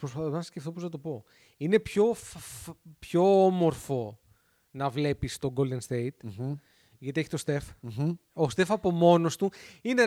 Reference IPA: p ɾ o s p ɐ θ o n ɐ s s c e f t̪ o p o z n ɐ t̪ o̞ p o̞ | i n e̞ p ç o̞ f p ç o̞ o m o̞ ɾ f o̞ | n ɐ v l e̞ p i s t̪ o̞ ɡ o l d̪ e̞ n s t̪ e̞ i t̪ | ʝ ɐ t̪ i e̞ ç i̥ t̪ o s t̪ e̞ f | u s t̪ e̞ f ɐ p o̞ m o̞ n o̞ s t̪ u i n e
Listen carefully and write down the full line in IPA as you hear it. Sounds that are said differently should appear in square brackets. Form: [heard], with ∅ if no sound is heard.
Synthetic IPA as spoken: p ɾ o s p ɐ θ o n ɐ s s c e f t̪ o p o z n ɐ t̪ o̞ p o̞ | i n e̞ p ç o̞ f p ç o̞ o m o̞ ɾ f o̞ | n ɐ v l e̞ p i s t̪ o̞ ɡ o l d̪ e̞ n s t̪ e̞ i t̪ | ʝ ɐ t̪ i e̞ ç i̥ t̪ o s t̪ e̞ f | [o] s t̪ e̞ f ɐ p o̞ m o̞ n o̞ s t̪ u i n e